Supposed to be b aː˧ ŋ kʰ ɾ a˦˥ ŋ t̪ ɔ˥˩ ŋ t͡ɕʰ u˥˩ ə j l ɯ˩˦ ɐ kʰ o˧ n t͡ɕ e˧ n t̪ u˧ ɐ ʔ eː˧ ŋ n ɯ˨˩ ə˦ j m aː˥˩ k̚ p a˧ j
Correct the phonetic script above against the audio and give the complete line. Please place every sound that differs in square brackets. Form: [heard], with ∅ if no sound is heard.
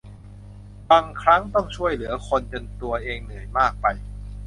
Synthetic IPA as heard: b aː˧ ŋ kʰ ɾ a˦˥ ŋ t̪ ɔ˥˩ ŋ t͡ɕʰ u˥˩ ə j l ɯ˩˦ ɐ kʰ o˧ n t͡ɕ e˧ n t̪ u˧ ɐ ʔ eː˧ ŋ n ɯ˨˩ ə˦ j m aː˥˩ k̚ p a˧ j